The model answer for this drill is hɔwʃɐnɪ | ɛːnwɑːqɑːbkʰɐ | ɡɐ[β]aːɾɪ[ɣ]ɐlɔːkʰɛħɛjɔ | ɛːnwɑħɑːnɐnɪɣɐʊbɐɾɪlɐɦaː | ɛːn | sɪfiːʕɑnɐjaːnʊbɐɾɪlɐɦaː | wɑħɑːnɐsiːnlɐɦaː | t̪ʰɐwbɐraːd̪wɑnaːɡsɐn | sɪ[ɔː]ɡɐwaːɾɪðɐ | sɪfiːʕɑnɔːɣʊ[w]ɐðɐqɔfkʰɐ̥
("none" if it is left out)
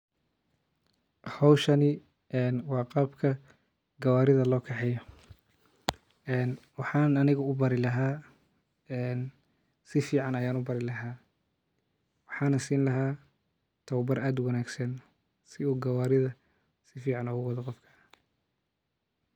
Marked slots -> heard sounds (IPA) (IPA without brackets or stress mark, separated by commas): w, ð, uː, w